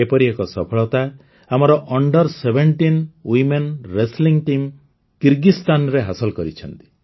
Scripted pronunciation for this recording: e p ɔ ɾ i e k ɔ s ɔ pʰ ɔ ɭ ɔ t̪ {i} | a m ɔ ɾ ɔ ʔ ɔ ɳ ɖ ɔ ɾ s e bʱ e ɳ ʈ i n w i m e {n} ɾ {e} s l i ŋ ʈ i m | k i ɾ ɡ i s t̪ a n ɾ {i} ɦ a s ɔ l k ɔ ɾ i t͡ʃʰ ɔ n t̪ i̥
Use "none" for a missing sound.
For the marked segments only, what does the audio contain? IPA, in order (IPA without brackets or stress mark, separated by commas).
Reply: a, n, e, e